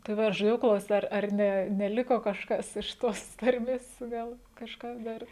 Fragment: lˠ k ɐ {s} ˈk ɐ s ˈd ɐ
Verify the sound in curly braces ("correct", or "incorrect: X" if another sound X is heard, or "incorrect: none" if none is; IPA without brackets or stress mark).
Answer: incorrect: ʃ